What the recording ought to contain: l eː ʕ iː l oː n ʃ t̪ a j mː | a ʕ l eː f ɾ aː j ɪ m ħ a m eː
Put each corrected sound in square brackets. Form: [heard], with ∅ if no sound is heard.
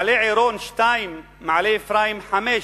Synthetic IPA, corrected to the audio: l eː ʕ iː [ɾ] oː n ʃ t̪ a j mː | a ʕ l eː f ɾ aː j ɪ m ħ a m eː